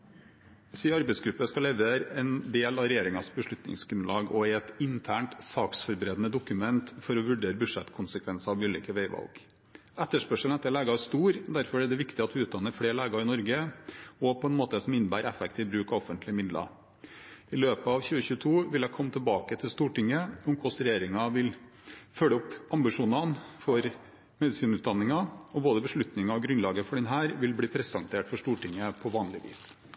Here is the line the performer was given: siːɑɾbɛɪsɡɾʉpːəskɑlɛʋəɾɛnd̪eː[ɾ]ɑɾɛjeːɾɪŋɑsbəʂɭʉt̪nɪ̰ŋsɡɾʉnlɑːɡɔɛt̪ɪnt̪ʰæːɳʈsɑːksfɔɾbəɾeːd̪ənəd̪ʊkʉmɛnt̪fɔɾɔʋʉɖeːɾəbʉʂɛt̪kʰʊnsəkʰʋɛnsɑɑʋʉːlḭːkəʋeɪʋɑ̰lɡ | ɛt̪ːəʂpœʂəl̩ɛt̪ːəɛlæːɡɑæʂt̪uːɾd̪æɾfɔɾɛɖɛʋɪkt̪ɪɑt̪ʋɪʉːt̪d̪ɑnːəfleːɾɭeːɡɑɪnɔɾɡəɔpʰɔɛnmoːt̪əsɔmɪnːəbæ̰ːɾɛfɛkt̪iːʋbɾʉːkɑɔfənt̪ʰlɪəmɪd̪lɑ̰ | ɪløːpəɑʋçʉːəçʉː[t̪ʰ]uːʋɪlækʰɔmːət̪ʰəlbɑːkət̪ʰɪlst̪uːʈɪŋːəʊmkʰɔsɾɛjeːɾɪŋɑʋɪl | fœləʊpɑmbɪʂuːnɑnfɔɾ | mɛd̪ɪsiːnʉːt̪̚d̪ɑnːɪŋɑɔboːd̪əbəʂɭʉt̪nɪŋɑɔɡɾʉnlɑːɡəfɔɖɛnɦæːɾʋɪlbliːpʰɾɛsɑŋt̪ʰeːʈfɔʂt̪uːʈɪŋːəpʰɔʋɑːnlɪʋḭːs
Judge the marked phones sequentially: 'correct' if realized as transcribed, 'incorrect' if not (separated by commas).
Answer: incorrect, correct